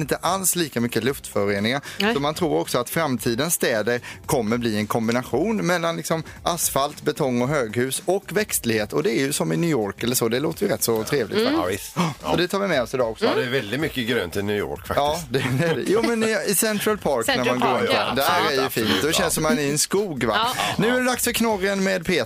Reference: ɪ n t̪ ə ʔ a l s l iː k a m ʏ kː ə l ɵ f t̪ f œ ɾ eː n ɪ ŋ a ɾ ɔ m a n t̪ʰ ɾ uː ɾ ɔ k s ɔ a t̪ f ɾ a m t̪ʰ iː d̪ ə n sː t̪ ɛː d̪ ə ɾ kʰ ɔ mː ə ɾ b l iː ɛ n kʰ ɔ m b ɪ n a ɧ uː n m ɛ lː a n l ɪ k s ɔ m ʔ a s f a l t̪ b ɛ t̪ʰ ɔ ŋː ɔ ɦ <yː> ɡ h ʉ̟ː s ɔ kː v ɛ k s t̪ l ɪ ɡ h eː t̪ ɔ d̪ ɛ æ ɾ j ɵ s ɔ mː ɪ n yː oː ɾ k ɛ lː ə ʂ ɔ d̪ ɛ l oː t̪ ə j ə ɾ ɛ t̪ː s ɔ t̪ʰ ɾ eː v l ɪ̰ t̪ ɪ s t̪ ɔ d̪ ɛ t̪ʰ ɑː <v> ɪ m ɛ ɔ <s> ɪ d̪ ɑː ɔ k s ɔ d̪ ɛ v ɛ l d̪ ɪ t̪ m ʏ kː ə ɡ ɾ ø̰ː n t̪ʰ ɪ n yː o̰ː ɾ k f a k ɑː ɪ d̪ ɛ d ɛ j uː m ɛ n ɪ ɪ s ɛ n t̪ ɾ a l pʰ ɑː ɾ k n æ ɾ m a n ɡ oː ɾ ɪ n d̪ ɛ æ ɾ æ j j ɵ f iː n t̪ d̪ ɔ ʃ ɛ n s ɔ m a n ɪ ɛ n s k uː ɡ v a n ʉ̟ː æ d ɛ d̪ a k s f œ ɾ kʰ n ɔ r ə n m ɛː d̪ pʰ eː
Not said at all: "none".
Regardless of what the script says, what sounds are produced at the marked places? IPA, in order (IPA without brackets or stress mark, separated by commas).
øː, v, s